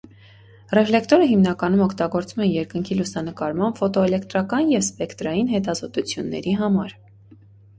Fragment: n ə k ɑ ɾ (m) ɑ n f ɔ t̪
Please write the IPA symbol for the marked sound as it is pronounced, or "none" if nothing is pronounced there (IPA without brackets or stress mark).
m